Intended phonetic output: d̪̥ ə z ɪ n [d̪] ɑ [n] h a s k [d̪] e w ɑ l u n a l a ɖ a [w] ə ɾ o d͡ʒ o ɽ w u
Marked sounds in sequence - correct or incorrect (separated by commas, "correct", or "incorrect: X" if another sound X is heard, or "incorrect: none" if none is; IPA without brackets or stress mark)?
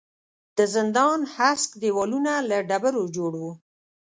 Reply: correct, correct, correct, incorrect: b